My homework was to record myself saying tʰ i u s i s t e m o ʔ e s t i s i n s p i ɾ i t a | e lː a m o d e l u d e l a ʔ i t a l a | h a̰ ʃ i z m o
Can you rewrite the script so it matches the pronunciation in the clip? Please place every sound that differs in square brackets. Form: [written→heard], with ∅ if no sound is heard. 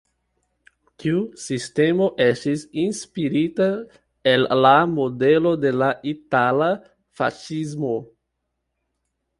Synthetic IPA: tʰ i u s i s t e m o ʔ e s t i s i n s p i ɾ i t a | e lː a m o d e l [u→o] d e l a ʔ i t a l a | [h→f] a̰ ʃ i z m o